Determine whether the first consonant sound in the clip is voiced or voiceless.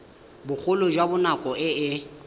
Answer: voiced